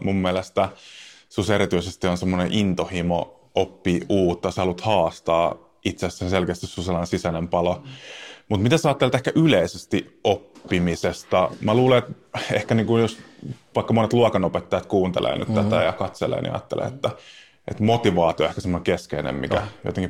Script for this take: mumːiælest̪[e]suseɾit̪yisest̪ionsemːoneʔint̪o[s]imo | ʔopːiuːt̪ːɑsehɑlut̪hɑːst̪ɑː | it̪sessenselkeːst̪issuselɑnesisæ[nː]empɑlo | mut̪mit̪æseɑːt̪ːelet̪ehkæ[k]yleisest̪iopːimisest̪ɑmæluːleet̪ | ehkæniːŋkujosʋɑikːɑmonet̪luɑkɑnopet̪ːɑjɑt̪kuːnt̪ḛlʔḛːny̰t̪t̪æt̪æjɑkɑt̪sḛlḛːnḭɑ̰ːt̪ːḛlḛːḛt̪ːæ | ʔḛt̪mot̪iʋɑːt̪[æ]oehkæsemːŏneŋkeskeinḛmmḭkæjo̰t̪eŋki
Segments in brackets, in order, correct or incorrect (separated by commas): incorrect, incorrect, incorrect, incorrect, incorrect